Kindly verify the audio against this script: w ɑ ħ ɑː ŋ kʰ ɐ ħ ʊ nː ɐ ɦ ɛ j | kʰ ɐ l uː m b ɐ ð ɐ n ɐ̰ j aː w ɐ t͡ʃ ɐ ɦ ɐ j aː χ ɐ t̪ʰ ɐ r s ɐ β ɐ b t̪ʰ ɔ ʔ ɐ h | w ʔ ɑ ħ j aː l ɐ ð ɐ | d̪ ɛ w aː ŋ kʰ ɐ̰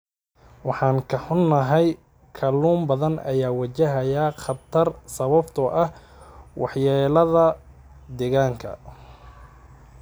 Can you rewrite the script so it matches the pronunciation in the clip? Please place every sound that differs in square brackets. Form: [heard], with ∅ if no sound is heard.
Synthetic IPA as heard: w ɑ ħ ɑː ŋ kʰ ɐ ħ ʊ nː ɐ ɦ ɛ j | kʰ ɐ l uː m b ɐ ð ɐ n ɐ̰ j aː w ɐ t͡ʃ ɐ ɦ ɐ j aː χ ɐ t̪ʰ ɐ r s ɐ β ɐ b t̪ʰ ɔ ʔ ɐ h | w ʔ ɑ ħ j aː l ɐ ð ɐ | d̪ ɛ [ɣ] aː ŋ kʰ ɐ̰